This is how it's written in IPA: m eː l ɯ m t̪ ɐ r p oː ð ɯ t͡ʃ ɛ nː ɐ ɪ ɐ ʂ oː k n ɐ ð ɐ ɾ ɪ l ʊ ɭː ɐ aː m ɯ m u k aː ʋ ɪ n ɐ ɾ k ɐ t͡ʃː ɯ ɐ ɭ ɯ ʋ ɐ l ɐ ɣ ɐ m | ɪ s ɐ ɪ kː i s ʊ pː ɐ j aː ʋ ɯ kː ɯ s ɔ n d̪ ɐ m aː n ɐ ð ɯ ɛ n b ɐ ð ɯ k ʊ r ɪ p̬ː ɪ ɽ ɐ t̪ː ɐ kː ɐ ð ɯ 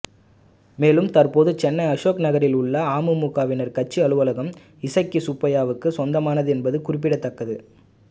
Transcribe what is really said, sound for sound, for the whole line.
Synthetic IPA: m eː l ɯ m t̪ ɐ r p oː ð ɯ t͡ʃ ɛ nː ɐ ɪ ɐ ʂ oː k n ɐ ɣ ɐ ɾ ɪ l ʊ ɭː ɐ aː m ɯ m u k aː ʋ ɪ n ɐ ɾ k ɐ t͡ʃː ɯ ɐ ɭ ɯ ʋ ɐ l ɐ ɣ ɐ m | ɪ s ɐ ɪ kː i s ʊ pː ɐ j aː ʋ ɯ kː ɯ s ɔ n d̪ ɐ m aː n ɐ ð ɯ ɛ n b ɐ ð ɯ k ʊ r ɪ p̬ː ɪ ɽ ɐ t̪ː ɐ kː ɐ ð ɯ